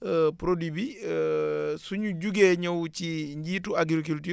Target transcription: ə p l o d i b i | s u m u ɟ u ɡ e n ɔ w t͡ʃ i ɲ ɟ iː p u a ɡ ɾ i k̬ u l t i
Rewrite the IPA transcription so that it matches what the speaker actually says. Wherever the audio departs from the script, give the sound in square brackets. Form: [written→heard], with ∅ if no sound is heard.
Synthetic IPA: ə p [l→ɾ] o d i b i | s u [m→ɲ] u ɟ u ɡ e [n→ɲ] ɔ w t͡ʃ i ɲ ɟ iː [p→t] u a ɡ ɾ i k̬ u l t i